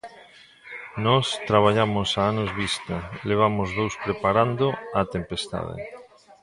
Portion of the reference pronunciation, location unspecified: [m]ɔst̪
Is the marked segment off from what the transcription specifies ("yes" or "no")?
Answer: yes